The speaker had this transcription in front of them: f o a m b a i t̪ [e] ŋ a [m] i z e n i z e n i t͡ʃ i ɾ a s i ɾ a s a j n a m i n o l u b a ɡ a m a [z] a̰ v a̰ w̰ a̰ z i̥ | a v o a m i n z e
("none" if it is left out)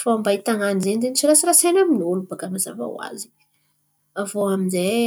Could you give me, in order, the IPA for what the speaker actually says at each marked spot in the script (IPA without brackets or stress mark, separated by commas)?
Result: a, n, z